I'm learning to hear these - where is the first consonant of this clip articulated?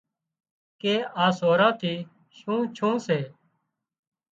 velum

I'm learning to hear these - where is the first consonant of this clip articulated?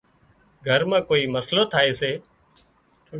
velum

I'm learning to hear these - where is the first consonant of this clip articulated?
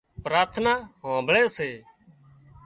lips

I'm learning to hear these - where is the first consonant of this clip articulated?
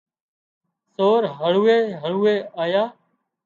tongue tip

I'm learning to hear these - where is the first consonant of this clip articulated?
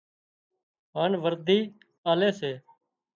throat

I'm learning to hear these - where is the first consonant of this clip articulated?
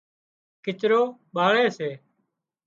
velum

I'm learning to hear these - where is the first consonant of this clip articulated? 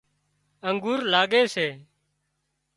velum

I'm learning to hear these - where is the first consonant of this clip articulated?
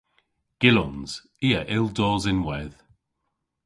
velum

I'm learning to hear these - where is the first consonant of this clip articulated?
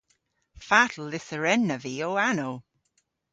lips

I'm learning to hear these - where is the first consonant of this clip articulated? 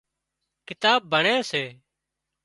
velum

